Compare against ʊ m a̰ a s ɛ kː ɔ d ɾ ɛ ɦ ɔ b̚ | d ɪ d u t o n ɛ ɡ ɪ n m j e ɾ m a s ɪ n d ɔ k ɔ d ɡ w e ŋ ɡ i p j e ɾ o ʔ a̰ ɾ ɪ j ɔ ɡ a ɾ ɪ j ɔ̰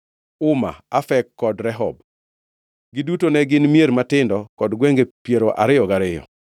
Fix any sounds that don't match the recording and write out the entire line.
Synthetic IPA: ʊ m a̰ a f ɛ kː ɔ d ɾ ɛ ɦ ɔ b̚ | ɡ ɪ d u t o n ɛ ɡ ɪ n m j e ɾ m a t ɪ n d ɔ k ɔ d ɡ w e ŋ ɡ e p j e ɾ o ʔ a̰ ɾ ɪ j ɔ ɡ a ɾ ɪ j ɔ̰